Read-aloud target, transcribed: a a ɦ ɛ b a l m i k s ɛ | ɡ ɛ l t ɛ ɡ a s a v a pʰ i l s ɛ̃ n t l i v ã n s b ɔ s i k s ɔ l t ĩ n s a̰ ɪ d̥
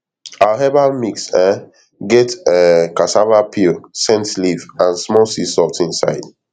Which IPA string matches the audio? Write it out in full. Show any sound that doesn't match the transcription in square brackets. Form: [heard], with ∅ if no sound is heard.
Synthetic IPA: a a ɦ ɛ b a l m i k s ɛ | ɡ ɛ [∅] t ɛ [k] a s a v a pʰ i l s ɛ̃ n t l i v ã n s [m] ɔ s i [∅] s ɔ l t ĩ n s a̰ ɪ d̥